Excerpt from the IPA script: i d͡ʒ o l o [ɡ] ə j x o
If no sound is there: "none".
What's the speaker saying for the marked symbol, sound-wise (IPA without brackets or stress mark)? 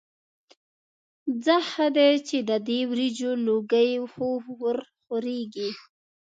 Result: ɡ